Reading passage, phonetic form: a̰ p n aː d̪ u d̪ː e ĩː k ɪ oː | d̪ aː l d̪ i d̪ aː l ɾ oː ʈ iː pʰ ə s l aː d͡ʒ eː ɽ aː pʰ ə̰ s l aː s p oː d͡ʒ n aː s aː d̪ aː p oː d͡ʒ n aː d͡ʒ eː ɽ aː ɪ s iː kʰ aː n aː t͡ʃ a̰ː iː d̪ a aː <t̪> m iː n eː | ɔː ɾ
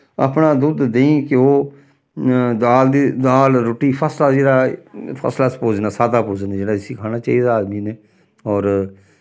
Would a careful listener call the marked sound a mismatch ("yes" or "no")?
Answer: yes